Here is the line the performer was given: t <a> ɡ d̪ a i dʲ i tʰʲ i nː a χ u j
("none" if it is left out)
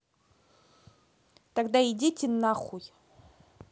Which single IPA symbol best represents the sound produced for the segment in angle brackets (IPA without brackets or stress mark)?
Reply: a